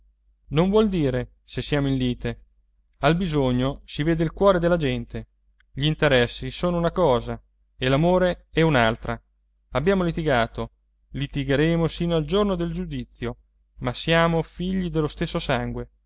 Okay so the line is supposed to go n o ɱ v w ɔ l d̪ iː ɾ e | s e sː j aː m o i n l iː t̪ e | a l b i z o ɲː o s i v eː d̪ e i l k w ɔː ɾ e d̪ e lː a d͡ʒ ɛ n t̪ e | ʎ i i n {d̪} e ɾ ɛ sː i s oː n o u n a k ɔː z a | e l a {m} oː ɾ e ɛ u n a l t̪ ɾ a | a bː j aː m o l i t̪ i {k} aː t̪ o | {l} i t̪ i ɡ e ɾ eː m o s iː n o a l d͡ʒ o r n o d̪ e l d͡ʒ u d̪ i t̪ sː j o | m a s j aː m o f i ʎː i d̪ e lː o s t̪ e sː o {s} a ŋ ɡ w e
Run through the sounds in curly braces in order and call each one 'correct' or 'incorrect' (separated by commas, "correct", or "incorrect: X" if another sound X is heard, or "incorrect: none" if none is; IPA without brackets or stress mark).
incorrect: t̪, correct, incorrect: ɡ, correct, correct